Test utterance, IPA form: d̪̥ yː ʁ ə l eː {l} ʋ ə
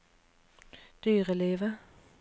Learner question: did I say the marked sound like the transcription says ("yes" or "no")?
no